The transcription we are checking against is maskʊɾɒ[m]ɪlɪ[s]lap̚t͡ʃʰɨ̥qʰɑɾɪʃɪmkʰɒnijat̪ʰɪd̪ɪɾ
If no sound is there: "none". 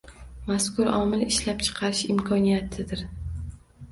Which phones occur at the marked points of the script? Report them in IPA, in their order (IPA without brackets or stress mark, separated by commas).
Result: m, ʃ